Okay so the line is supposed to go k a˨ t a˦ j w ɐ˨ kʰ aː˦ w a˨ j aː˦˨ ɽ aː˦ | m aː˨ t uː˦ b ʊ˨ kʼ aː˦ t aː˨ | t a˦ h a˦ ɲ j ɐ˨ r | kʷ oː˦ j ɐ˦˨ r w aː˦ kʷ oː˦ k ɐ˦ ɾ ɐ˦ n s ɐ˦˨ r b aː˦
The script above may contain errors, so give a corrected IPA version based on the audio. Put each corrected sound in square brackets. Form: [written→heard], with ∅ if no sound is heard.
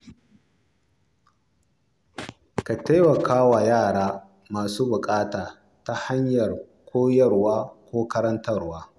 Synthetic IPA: k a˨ t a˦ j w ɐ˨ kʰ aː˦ w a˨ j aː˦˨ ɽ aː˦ | m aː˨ [t→s] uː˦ b ʊ˨ kʼ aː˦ t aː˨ | t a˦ h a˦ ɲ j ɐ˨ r | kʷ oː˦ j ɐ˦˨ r w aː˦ kʷ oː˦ k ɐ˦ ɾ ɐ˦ n [s→t] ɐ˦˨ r [b→w] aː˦